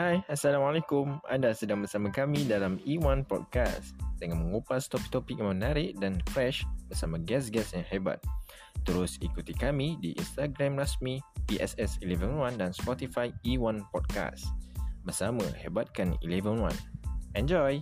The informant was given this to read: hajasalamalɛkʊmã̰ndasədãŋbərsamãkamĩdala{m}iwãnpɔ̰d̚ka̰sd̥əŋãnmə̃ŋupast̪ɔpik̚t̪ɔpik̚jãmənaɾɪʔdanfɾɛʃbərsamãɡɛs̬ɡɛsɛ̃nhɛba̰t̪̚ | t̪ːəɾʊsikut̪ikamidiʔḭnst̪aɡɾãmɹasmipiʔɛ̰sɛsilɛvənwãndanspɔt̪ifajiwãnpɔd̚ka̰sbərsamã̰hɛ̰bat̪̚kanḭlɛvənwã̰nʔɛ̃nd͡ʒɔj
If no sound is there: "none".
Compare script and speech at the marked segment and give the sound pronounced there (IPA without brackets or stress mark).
m